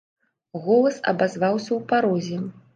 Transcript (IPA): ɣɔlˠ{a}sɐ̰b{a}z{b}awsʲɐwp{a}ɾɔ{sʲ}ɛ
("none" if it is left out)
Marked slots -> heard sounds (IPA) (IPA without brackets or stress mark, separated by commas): ɐ, a, v, a, zʲ